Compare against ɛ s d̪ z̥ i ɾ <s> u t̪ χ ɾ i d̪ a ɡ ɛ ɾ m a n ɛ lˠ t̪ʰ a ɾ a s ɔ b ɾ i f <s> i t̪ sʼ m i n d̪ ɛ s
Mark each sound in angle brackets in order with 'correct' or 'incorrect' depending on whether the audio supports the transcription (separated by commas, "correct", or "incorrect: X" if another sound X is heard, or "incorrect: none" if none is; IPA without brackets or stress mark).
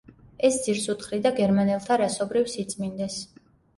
correct, correct